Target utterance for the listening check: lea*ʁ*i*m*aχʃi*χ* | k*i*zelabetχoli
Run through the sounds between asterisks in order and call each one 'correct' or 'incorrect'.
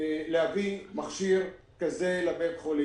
incorrect, correct, incorrect, incorrect

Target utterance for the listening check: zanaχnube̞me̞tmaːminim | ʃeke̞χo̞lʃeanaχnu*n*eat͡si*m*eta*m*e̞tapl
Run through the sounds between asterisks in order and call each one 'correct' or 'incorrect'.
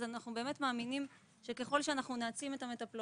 correct, correct, correct

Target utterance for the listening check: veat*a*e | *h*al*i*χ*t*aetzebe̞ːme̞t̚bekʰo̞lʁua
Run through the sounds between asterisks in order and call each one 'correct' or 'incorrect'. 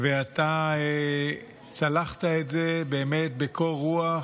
correct, incorrect, incorrect, correct

